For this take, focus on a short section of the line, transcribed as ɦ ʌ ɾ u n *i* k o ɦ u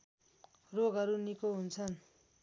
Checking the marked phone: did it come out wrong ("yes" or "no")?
no